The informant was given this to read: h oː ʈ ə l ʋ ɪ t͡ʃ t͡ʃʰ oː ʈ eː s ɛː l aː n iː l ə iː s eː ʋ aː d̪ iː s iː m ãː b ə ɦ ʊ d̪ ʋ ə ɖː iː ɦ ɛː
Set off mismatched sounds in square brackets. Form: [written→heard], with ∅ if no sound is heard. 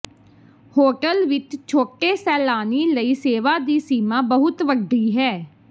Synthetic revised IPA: h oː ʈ ə l ʋ ɪ t͡ʃ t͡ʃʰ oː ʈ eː s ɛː l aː n iː l ə iː s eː ʋ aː d̪ iː s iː m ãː b ə ɦ ʊ [d̪→t̪] ʋ ə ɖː iː ɦ ɛː

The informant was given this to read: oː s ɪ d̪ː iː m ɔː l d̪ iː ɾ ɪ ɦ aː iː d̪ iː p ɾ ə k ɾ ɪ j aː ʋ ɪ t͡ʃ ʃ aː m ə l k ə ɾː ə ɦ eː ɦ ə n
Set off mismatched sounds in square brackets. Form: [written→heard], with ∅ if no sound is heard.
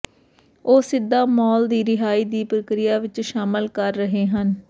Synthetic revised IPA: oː s ɪ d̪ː [iː→aː] m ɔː l d̪ iː ɾ ɪ ɦ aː iː d̪ iː p ɾ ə k ɾ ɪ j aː ʋ ɪ t͡ʃ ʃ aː m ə l k ə ɾː ə ɦ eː ɦ ə n

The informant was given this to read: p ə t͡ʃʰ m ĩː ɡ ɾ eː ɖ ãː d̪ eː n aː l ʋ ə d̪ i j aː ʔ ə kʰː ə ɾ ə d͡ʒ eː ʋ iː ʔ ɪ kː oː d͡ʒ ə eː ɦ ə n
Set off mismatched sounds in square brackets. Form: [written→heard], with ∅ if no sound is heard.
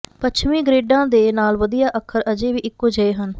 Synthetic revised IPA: p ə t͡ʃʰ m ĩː ɡ ɾ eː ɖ ãː d̪ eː n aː l ʋ ə d̪ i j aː ʔ ə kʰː ə ɾ ə d͡ʒ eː ʋ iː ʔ ɪ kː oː d͡ʒ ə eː ɦ ə n

